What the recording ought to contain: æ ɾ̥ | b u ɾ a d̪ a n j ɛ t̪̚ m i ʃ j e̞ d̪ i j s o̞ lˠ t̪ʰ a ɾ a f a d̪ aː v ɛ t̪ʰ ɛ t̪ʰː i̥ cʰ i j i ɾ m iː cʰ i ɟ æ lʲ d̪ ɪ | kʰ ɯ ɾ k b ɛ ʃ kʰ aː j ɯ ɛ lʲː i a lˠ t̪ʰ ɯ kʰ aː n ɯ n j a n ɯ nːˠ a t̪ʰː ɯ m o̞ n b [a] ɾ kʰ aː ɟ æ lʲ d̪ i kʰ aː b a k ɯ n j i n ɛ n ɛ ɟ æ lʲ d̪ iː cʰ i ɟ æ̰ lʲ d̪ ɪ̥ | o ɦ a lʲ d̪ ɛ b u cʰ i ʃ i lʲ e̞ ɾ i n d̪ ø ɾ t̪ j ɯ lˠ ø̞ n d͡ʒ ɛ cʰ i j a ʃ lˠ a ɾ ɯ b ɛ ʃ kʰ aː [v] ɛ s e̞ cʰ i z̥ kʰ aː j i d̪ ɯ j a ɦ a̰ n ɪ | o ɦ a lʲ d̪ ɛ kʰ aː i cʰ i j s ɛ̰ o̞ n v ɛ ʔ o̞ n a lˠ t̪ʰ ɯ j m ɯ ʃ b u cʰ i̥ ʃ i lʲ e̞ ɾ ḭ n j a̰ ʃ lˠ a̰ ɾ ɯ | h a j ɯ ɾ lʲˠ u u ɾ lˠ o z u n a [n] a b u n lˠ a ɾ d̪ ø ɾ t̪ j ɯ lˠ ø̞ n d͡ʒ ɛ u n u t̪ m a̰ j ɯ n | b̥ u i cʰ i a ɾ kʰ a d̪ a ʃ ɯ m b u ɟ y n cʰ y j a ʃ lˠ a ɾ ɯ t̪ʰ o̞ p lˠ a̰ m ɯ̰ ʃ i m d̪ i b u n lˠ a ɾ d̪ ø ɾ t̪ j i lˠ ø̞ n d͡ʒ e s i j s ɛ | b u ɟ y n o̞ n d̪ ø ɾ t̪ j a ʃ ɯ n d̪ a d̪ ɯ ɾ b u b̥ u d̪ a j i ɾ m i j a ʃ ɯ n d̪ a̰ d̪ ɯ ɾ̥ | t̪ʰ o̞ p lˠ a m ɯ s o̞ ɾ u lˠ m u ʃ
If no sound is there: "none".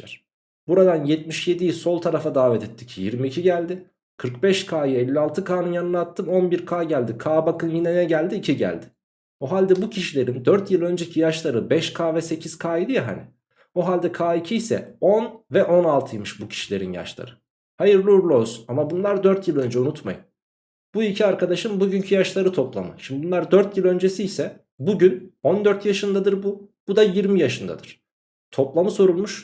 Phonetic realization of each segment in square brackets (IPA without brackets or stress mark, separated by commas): i, v, m